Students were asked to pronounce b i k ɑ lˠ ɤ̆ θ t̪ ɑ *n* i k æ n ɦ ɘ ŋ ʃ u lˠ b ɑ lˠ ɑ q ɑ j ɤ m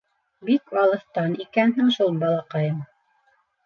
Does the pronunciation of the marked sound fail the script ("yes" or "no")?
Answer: no